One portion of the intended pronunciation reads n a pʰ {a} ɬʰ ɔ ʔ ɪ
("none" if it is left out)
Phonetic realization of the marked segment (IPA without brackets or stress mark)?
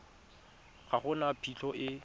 i